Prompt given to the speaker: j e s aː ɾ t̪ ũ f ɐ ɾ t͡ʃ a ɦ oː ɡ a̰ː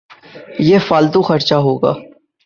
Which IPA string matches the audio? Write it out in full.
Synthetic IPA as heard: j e f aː l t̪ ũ x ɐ ɾ t͡ʃ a ɦ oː ɡ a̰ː